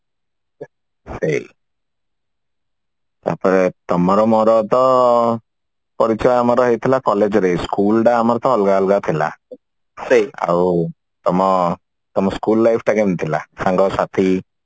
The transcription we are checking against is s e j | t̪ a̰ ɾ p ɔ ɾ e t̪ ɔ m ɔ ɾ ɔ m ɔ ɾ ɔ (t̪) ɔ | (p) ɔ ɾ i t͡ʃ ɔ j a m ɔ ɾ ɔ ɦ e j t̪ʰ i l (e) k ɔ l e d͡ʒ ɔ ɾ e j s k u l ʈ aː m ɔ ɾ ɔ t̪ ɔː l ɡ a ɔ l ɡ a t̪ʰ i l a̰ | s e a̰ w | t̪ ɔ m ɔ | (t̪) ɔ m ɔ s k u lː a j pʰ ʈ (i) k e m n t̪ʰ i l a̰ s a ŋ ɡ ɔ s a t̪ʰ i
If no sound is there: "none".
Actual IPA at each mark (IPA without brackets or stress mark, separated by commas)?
t̪, p, a, t̪, a